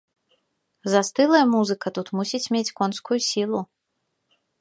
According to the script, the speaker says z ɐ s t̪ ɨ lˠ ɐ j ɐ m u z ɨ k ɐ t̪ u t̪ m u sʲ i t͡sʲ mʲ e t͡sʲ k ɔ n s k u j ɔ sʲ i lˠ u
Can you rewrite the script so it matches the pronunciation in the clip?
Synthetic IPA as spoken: z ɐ s t̪ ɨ lˠ ɐ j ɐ m u z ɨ k ɐ t̪ u t̪ m u sʲ i t͡sʲ mʲ e t͡sʲ k ɔ n s k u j u sʲ i lˠ u

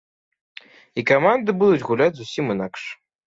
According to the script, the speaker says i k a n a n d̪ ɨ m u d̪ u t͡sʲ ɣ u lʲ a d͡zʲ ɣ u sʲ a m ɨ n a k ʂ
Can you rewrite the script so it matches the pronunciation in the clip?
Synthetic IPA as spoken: i k a m a n d̪ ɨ b u d̪ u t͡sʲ ɣ u lʲ a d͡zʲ z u sʲ i m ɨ n a k ʂ

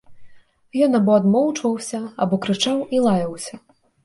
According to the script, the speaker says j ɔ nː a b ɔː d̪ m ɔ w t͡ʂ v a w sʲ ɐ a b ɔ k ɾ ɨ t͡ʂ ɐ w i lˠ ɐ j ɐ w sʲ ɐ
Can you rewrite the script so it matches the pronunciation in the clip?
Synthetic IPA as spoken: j ɔ n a b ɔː d̪ m ɔ w t͡ʂ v ɐ w sʲ ɐ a b ɔ k ɾ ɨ t͡ʂ a w i lˠ a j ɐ w sʲ ɐ

